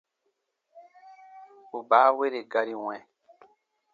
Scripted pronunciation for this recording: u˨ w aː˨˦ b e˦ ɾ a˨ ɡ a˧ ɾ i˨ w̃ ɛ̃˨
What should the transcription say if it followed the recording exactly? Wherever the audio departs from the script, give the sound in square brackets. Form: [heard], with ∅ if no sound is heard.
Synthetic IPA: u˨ [b] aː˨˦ [w] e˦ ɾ [e˨] ɡ a˧ ɾ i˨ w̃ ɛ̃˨